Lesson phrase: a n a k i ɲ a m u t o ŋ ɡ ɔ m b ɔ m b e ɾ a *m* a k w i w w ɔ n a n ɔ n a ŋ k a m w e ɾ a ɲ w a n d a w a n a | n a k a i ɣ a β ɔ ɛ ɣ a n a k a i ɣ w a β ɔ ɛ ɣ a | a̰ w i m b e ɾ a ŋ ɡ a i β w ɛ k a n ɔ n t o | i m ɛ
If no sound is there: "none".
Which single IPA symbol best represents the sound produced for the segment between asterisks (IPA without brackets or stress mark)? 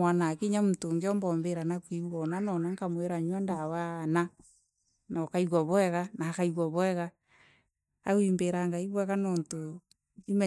n